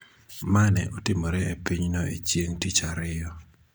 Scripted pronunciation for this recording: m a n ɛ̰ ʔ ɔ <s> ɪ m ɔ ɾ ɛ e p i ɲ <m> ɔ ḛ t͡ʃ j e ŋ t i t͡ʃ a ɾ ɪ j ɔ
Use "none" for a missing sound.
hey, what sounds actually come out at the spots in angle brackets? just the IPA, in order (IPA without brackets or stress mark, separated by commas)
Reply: t, n